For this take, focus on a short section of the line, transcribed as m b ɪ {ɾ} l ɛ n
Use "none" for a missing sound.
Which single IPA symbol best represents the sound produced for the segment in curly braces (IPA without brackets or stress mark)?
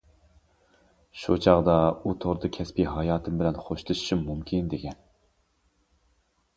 none